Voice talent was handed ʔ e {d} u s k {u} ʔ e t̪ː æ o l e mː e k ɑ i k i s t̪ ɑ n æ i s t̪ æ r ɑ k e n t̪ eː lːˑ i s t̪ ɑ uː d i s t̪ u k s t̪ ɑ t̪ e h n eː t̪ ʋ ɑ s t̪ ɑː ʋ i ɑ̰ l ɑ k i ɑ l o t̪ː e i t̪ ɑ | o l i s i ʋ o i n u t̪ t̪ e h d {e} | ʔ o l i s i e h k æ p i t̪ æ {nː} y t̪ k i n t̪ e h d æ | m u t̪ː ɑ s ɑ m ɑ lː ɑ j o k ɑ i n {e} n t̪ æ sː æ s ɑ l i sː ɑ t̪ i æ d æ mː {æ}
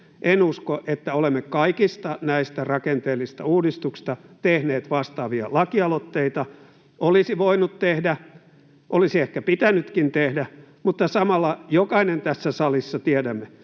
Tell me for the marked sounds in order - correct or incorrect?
incorrect: n, incorrect: o, incorrect: æ, incorrect: n, correct, incorrect: e

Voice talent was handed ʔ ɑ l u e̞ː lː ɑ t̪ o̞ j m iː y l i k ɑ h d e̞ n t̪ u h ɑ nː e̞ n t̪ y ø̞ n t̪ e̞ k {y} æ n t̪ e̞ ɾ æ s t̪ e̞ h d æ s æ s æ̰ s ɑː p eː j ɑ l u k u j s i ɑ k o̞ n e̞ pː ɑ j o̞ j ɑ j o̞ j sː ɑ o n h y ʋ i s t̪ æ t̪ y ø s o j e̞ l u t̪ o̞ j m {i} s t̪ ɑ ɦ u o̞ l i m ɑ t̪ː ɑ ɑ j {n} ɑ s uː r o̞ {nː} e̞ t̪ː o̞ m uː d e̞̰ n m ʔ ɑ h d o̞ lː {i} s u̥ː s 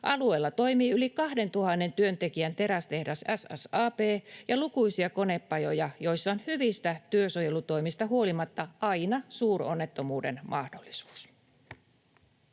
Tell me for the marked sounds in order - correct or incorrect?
incorrect: i, correct, correct, correct, correct

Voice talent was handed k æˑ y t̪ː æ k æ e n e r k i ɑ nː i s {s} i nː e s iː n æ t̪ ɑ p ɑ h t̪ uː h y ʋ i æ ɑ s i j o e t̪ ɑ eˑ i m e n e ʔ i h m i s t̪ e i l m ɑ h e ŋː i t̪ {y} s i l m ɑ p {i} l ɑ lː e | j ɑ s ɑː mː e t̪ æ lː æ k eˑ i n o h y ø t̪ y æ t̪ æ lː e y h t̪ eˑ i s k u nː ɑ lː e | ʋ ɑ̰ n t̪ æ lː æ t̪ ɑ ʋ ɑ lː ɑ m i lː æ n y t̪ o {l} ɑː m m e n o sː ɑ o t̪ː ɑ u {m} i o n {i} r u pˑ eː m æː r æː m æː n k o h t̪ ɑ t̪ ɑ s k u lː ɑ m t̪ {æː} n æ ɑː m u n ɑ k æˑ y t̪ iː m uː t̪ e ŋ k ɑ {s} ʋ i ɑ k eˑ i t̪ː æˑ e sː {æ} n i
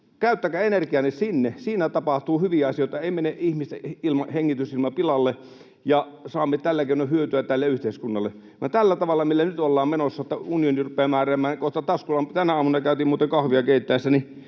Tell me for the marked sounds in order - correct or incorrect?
correct, correct, correct, incorrect: lː, incorrect: n, correct, incorrect: æ, incorrect: h, correct

